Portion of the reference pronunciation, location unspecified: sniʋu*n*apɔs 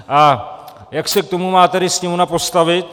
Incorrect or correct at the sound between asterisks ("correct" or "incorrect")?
correct